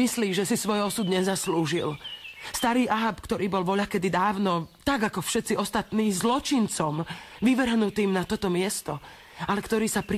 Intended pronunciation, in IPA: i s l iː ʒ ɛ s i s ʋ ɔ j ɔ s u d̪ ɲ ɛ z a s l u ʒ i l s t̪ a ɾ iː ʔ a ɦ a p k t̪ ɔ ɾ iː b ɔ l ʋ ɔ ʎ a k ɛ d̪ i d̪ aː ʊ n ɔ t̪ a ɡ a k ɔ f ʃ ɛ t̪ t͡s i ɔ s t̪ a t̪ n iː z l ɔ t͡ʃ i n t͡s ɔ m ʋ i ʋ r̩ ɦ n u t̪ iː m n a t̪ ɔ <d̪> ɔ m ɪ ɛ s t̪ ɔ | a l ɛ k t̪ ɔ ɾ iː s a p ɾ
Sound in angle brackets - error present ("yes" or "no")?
yes